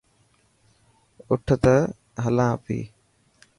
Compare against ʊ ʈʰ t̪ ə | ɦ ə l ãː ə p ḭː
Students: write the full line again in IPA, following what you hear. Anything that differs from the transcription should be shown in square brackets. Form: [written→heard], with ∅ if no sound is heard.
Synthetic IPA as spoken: ʊ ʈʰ t̪ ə | ɦ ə l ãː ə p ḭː